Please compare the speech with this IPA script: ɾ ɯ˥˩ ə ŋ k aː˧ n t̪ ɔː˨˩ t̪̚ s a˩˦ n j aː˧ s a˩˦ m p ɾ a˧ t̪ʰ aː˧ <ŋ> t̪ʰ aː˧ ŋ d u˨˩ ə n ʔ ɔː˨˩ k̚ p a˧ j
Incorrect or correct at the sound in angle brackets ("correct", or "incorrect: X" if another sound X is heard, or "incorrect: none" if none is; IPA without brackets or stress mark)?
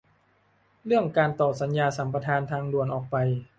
incorrect: n